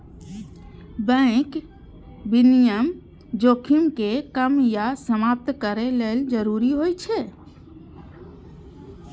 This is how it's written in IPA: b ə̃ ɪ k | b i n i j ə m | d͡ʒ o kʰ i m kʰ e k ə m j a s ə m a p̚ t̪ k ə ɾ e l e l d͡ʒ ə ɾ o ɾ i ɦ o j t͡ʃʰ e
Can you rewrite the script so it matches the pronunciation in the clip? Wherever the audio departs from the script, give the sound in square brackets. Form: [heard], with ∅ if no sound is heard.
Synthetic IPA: b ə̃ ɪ k | b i n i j ə m | d͡ʒ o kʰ i m [k] e k ə m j a s ə m a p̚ t̪ k ə ɾ e l e l d͡ʒ ə ɾ [u] ɾ i ɦ o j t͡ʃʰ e